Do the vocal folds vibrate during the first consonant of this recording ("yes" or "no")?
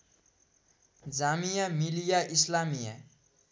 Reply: yes